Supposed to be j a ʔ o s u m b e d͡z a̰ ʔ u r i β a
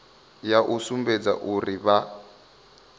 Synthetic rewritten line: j a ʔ u s u m b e d͡z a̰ ʔ u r i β a

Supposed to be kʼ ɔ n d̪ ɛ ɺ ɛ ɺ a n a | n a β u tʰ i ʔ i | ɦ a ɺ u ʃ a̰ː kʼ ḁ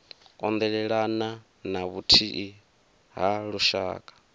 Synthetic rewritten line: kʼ ɔ n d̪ ɛ ɺ ɛ ɺ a n a | n a β u tʰ i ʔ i | ɦ a ɺ u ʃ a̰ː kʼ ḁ

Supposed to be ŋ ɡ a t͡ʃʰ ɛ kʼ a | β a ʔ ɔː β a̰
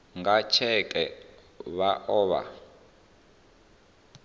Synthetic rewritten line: ŋ ɡ a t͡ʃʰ ɛ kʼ ɛ | β a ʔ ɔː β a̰

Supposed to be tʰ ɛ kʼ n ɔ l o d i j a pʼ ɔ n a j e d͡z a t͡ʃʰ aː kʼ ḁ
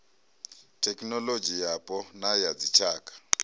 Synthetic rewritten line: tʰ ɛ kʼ n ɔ l o d͡ʒ i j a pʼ ɔ n a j a d͡z i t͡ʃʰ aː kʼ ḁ

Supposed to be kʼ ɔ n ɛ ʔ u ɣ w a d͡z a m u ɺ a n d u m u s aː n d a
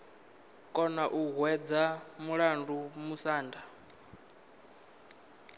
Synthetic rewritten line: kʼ ɔ n a ʔ u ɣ w ɛ d͡z a m u ɺ a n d u m u s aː n d a

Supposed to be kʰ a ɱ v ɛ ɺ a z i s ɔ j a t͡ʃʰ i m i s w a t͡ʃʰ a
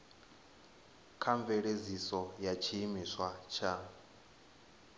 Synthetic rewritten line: kʰ a ɱ v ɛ ɺ e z i s ɔ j a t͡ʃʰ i m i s w a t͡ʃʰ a

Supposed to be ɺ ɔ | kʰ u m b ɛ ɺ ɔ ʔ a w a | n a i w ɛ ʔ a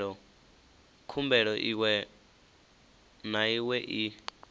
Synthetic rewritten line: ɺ ɔ | kʰ u m b ɛ ɺ ɔ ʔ i w ɛ | n a i w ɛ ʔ i

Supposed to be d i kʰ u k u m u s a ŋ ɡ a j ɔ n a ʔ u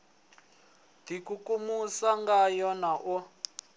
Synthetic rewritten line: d i k u k u m u s a ŋ ɡ a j ɔ n a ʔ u

